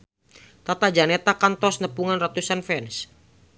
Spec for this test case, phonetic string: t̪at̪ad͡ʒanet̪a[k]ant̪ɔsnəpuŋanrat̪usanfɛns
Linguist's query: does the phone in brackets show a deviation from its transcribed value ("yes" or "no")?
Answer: no